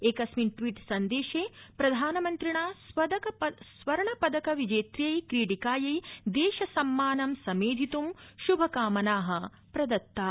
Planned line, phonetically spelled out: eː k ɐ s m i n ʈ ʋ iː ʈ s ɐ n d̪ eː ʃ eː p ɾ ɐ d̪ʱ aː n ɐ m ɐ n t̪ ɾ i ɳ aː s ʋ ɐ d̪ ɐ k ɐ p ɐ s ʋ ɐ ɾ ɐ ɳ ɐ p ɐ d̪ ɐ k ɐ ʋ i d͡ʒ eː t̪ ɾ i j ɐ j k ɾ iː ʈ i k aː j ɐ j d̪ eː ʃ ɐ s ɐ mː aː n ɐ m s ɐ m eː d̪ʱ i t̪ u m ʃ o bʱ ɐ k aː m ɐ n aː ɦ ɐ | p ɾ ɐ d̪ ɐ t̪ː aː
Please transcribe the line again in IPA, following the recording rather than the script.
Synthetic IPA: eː k ɐ s m i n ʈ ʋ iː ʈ s ɐ n d̪ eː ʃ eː p ɾ ɐ d̪ʱ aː n ɐ m ɐ n t̪ ɾ i ɳ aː s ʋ ɐ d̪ ɐ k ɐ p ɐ s ʋ ɐ ɾ ɐ ɳ ɐ p ɐ d̪ ɐ k ɐ ʋ i d͡ʒ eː t̪ ɾ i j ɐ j k ɾ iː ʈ i k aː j ɐ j d̪ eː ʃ ɐ s ɐ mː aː n ɐ m s ɐ m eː d̪ʱ i t̪ u m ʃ u bʱ ɐ k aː m ɐ n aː ɦ ɐ | p ɾ ɐ d̪ ɐ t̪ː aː